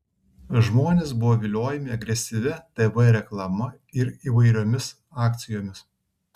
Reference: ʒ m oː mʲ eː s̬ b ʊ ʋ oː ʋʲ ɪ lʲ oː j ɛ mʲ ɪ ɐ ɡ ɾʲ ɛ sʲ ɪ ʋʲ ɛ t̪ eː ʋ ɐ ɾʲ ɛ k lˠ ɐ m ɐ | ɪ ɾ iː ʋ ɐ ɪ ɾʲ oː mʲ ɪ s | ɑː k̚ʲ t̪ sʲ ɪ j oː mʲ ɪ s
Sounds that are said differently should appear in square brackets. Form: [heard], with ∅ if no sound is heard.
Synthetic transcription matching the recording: ʒ m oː [nʲ] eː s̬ b ʊ ʋ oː ʋʲ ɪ lʲ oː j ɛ mʲ ɪ ɐ ɡ ɾʲ ɛ sʲ ɪ ʋʲ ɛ t̪ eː ʋ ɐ ɾʲ ɛ k lˠ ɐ m ɐ | ɪ ɾ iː ʋ ɐ ɪ ɾʲ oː mʲ ɪ s | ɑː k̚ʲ t̪ sʲ ɪ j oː mʲ ɪ s